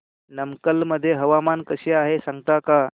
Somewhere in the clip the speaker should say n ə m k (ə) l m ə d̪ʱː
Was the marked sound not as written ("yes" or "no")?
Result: no